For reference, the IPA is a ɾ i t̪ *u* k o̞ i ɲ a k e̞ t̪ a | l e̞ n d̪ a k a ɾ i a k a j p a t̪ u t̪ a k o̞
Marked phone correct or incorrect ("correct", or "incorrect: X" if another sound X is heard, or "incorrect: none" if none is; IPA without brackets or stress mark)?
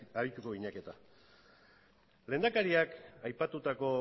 correct